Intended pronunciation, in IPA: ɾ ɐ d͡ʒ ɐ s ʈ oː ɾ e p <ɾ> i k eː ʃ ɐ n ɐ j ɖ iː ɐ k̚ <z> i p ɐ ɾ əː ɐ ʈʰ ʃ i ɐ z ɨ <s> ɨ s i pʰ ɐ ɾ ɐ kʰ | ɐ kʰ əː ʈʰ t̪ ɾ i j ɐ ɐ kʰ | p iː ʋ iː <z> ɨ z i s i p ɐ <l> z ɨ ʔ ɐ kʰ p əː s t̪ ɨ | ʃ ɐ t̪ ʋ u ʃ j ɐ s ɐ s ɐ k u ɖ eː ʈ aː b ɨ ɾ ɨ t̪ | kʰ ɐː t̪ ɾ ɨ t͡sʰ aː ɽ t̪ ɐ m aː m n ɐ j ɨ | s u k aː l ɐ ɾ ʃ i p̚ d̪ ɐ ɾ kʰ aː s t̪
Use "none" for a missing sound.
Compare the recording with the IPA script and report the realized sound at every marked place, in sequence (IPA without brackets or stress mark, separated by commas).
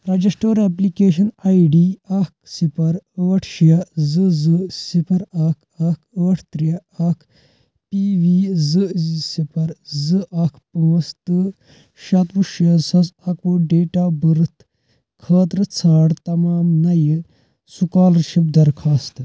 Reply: l, s, z, z, ɾ